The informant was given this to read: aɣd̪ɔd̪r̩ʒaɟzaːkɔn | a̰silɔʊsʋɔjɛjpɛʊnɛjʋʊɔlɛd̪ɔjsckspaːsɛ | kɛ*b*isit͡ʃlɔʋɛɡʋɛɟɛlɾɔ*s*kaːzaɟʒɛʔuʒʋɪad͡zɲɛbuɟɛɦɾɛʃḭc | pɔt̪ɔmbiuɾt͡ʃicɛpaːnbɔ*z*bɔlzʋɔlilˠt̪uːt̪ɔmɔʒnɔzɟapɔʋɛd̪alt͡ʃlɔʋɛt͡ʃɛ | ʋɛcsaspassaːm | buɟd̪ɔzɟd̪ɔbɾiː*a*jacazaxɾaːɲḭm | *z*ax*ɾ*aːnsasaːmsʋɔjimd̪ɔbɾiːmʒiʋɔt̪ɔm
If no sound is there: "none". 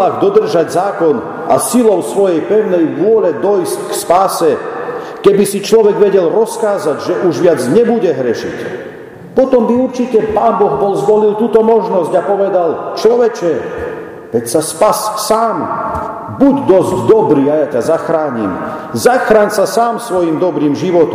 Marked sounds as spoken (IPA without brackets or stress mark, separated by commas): b, s, ɣ, a, z, ɾ